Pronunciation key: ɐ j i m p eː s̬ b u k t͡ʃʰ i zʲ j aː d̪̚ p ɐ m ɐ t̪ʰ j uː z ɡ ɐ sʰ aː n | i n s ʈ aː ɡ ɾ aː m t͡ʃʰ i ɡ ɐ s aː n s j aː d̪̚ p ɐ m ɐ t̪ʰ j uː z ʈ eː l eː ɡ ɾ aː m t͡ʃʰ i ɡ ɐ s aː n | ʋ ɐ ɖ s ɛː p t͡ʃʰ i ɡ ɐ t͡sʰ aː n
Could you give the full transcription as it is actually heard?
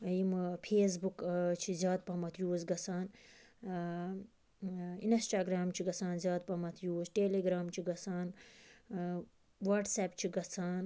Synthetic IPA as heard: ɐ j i m pʰ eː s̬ b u k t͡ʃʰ i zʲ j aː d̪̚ p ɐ m ɐ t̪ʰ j uː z ɡ ɐ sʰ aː n | i n s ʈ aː ɡ ɾ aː m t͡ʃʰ i ɡ ɐ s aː n z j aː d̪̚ p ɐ m ɐ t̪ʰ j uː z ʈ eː l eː ɡ ɾ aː m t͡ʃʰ i ɡ ɐ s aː n | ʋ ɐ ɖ s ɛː p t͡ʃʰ i ɡ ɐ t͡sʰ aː n

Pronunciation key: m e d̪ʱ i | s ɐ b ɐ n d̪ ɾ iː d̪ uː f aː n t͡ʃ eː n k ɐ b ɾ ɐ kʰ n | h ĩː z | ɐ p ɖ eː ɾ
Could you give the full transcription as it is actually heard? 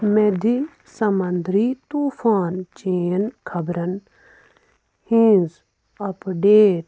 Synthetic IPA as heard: m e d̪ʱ i | s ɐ m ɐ n d̪ ɾ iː t̪ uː f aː n t͡ʃ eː n kʰ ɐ b ɾ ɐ n | h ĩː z | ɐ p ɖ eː ɾ

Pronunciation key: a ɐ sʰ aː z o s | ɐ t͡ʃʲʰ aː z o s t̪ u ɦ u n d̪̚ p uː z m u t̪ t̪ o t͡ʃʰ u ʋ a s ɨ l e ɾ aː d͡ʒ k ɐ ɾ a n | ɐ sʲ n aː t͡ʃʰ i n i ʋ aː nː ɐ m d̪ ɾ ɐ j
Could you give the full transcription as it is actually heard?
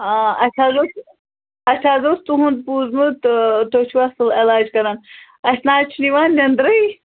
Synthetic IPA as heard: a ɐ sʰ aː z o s | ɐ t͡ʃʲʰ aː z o s t̪ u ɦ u n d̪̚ p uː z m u t̪ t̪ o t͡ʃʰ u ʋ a s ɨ l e l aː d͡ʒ k ɐ ɾ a n | ɐ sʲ n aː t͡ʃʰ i n i ʋ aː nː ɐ n d̪ ɾ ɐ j

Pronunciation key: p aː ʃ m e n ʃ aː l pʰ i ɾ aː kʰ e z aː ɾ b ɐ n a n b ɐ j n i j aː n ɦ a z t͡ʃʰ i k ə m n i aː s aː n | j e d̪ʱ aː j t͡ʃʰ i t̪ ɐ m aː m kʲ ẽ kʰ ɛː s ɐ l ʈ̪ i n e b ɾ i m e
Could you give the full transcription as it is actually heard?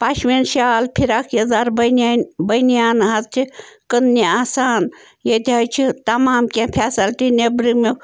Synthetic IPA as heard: p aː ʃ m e n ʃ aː l pʰ i ɾ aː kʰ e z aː ɾ b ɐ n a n b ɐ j n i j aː n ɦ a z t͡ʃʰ i k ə n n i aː s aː n | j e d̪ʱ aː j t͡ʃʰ i t̪ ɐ m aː m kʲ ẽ pʰ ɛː s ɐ l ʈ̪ i n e b ɾ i m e

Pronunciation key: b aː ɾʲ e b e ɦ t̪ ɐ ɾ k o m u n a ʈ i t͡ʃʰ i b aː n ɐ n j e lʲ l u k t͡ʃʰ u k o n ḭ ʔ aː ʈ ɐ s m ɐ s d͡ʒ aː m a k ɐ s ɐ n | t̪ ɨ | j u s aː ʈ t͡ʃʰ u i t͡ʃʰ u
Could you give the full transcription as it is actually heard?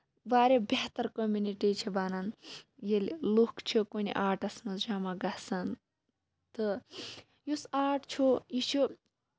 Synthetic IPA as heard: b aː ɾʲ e b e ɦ t̪ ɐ ɾ k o m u n i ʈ i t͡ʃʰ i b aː n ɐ n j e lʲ l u k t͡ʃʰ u k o n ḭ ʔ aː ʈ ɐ s m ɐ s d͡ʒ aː m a ɡ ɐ s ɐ n | t̪ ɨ | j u s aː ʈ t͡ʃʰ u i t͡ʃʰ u

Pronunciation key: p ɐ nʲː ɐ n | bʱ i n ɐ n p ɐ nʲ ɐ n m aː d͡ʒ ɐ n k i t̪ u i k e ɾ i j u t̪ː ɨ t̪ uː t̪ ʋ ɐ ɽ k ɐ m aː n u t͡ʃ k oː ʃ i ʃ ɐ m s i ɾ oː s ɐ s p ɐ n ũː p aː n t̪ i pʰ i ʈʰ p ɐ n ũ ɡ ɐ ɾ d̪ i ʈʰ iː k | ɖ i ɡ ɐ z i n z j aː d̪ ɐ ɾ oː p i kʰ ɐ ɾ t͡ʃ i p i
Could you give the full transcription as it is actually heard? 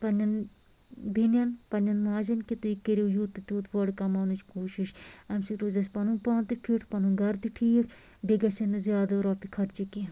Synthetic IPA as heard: p ɐ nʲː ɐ n | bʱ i n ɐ n p ɐ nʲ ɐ n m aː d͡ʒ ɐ n k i t̪ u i k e ɾ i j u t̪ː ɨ t̪ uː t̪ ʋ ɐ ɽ k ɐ m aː n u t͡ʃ k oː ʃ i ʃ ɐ m s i ɾ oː z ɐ s p ɐ n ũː p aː n t̪ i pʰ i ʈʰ p ɐ n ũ ɡ ɐ ɾ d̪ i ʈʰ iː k | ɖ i ɡ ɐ s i n z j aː d̪ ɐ ɾ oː p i kʰ ɐ ɾ t͡ʃ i k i

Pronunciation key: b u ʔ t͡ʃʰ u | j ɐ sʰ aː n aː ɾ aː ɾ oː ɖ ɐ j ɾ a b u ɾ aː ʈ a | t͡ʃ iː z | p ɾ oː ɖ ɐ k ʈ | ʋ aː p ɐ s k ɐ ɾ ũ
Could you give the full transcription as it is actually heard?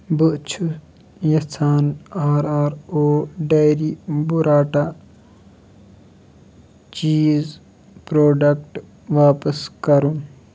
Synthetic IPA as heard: b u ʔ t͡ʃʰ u | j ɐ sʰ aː n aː ɾ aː ɾ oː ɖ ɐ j ɾ i b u ɾ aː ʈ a | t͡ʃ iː z | p ɾ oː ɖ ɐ k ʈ | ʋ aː p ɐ s k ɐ ɾ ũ

